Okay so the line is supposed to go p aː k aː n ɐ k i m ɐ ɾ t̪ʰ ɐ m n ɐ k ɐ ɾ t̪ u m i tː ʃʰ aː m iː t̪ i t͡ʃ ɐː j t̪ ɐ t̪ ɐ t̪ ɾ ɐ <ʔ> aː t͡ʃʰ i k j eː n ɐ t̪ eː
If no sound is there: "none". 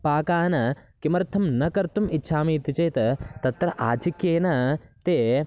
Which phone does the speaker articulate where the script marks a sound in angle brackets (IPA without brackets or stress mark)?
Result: ʔ